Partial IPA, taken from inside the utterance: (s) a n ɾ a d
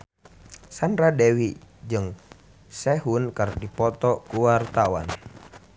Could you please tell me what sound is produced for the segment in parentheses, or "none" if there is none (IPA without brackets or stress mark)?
s